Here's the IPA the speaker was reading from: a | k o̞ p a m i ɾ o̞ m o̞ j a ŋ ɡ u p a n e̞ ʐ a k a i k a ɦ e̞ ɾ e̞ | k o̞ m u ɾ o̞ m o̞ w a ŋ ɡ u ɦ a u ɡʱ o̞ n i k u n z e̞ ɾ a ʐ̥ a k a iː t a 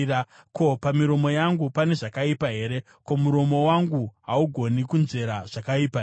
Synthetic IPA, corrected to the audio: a | k o̞ p a m i ɾ o̞ m o̞ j a ŋ ɡ u p a n e̞ ʐ a k a i p a ɦ e̞ ɾ e̞ | k o̞ m u ɾ o̞ m o̞ w a ŋ ɡ u ɦ a u ɡʱ o̞ n i k u n z e̞ ɾ a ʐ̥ a k a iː p a